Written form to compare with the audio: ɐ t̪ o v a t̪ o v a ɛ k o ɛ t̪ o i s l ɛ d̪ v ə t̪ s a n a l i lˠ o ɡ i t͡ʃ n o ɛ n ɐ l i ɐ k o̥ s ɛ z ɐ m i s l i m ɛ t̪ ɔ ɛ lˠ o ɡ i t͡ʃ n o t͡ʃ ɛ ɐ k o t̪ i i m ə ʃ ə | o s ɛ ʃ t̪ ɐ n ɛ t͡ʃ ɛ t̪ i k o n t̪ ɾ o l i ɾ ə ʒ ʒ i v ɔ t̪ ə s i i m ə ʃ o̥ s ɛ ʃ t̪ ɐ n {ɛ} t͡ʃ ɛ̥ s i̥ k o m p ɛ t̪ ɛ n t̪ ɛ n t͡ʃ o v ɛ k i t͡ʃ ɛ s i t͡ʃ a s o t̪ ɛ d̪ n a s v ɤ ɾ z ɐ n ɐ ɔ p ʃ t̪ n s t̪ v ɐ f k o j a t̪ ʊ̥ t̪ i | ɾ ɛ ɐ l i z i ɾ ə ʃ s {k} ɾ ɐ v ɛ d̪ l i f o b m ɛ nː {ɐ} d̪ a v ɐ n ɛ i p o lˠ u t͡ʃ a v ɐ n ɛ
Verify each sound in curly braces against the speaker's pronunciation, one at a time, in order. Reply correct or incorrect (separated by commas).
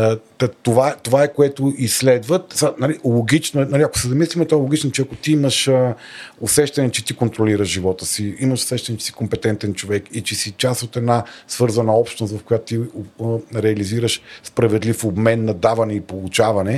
correct, incorrect, correct